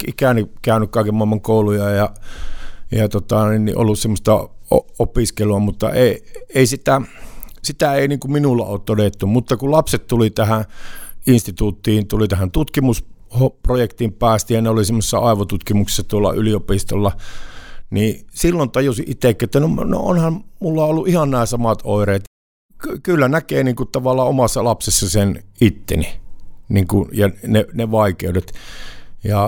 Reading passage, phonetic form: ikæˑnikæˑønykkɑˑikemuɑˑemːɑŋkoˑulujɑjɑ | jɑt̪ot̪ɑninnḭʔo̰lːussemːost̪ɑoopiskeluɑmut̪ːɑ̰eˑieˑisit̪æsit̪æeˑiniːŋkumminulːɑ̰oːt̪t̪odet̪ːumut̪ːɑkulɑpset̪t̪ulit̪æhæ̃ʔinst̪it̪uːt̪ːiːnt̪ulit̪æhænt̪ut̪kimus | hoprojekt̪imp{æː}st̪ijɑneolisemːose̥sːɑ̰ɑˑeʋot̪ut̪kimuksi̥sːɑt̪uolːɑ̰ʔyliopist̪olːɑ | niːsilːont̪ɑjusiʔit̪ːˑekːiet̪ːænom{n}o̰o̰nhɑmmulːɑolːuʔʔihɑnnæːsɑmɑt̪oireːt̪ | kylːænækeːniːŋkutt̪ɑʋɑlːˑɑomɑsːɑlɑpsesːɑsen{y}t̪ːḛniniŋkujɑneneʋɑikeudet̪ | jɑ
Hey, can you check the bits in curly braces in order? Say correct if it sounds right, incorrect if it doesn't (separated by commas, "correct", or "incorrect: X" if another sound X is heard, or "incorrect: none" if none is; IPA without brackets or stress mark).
correct, correct, incorrect: i